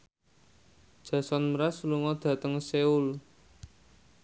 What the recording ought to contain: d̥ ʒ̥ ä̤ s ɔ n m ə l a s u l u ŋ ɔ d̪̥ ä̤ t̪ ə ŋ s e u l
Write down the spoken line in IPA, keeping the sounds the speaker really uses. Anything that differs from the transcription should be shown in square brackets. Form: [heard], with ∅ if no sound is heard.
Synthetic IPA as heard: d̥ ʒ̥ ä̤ s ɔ n m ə [ɾ] a s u l u ŋ ɔ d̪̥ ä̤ t̪ ə ŋ s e u l